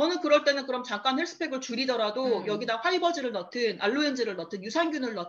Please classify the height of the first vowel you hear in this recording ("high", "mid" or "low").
mid